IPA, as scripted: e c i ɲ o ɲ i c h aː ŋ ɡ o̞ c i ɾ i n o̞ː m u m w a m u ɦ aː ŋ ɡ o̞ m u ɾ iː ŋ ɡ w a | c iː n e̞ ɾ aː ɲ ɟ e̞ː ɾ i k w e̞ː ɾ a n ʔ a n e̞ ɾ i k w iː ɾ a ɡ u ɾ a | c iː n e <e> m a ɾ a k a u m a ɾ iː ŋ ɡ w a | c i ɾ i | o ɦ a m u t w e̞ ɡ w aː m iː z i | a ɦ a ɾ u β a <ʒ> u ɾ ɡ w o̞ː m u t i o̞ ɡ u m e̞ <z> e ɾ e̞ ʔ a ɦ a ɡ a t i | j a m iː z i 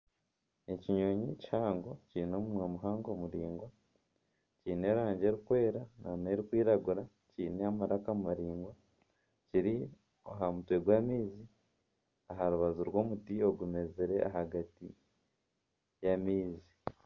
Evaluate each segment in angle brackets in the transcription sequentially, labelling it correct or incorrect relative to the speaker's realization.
incorrect: a, incorrect: z, correct

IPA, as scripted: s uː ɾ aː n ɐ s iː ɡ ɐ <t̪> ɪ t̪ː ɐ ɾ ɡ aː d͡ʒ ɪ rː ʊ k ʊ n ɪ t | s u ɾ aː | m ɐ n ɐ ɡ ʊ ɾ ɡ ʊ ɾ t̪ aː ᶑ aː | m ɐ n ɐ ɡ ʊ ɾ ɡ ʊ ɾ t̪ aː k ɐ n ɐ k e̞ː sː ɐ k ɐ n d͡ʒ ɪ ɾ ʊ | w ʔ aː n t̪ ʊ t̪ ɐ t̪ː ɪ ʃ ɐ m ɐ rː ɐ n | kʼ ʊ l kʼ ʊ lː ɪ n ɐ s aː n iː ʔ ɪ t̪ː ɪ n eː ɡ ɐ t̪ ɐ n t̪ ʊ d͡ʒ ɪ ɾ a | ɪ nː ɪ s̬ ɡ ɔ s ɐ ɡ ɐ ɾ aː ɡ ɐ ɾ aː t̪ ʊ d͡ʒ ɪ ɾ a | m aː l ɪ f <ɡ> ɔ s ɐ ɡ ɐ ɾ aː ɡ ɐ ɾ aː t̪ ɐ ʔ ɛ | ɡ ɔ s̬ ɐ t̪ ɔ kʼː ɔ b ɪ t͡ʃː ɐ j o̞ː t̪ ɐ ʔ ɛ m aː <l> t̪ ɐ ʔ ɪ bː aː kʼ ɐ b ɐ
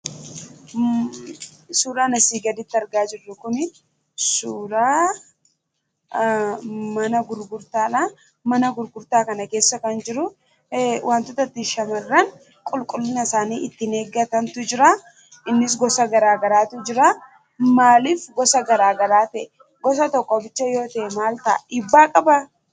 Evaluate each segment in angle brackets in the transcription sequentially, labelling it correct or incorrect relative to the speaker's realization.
incorrect: d̪, correct, correct

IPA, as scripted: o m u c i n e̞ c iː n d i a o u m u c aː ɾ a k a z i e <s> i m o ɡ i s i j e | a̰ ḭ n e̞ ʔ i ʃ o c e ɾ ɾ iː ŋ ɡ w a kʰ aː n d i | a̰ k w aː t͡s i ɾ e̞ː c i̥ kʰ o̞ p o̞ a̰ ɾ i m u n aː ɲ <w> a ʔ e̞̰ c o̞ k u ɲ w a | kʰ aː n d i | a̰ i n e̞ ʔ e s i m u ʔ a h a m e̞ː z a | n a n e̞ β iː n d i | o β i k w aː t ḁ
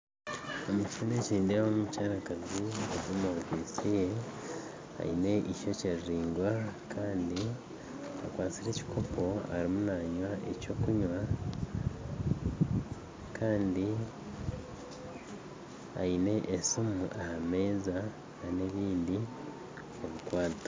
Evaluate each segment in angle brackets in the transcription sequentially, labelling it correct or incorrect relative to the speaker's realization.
incorrect: z, correct

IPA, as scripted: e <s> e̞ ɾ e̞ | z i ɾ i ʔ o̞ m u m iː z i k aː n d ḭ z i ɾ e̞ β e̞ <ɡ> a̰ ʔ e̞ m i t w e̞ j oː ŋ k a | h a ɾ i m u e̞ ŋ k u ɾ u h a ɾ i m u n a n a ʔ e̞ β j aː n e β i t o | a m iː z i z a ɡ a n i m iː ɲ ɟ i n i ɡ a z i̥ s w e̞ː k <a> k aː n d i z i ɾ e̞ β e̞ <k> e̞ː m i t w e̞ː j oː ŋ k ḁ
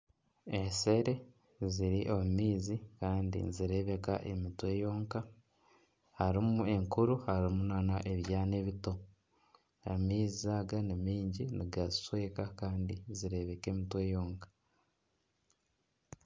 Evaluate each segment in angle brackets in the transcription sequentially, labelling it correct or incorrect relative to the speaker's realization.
correct, incorrect: k, correct, correct

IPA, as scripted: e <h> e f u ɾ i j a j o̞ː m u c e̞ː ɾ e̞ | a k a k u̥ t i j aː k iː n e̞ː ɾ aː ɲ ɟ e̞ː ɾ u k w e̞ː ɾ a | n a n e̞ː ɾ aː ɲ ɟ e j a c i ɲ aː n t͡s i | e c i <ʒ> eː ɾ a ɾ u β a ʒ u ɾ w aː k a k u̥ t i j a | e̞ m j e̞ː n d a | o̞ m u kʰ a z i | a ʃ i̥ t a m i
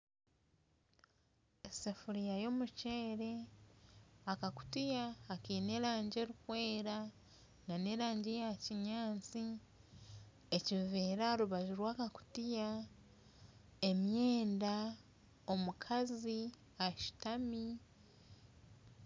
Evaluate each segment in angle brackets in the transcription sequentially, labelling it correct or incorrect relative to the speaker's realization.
incorrect: s, incorrect: v

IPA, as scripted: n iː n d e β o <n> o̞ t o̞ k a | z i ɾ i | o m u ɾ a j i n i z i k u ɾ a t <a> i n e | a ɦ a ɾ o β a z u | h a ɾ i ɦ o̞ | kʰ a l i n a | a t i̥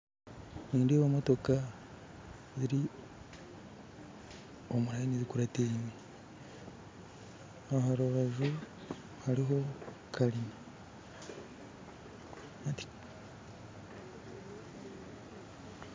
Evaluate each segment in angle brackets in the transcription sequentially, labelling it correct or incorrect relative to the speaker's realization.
incorrect: m, incorrect: e

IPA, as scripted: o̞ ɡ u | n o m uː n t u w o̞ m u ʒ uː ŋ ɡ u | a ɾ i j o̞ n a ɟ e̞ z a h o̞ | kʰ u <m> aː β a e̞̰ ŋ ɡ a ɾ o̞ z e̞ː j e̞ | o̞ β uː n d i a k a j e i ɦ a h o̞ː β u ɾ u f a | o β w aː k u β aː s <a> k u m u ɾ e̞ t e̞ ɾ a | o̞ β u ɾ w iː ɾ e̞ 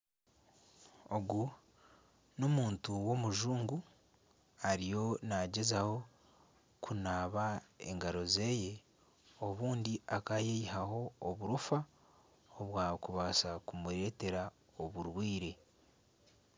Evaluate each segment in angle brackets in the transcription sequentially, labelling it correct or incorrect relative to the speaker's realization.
incorrect: n, correct

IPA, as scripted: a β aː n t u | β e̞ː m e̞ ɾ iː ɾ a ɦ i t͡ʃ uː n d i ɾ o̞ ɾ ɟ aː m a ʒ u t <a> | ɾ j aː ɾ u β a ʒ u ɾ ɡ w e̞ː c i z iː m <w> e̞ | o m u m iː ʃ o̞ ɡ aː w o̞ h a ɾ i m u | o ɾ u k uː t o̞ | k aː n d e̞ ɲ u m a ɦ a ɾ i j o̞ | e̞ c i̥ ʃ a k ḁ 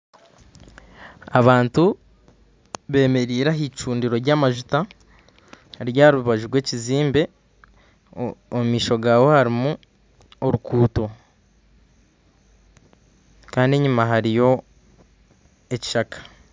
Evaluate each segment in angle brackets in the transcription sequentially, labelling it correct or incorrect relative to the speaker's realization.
correct, incorrect: b

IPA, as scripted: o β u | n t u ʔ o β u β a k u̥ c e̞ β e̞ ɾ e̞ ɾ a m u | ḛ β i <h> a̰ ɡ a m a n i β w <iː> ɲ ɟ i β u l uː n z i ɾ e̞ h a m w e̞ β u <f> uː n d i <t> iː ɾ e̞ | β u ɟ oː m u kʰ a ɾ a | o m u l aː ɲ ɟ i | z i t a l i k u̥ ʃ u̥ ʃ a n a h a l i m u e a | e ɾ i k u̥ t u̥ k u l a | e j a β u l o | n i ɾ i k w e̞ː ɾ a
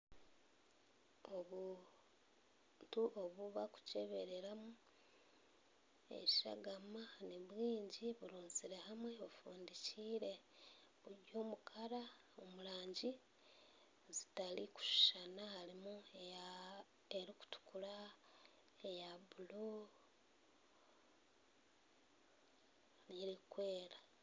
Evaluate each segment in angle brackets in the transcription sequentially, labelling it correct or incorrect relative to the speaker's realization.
incorrect: ʃ, correct, correct, incorrect: c

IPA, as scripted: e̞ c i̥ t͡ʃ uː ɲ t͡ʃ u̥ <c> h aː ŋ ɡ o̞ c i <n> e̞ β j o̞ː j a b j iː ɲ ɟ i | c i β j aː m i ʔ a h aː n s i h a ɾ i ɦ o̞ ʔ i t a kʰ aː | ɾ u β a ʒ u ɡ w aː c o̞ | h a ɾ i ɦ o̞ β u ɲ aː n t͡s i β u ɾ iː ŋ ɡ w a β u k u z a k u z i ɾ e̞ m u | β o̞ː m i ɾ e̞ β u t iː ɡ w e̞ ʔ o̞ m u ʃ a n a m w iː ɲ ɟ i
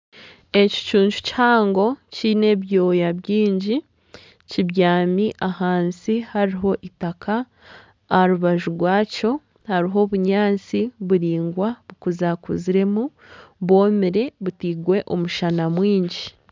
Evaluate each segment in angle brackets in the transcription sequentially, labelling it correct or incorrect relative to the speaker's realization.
correct, correct

